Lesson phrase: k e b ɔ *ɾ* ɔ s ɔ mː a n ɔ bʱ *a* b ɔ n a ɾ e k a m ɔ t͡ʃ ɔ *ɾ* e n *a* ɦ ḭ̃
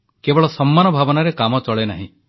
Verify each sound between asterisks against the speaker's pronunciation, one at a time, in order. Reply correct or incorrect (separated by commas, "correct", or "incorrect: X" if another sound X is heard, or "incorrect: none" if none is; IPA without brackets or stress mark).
incorrect: ɭ, correct, incorrect: ɭ, correct